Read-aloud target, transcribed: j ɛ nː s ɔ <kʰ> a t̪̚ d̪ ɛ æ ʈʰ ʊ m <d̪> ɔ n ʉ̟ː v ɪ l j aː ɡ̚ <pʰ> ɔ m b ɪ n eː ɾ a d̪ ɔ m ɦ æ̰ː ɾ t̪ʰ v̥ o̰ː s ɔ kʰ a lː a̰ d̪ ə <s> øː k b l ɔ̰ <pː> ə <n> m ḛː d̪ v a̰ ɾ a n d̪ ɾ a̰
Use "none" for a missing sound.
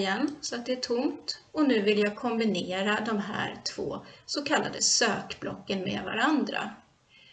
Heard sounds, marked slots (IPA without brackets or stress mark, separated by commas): none, t̪, kʰ, s, kː, n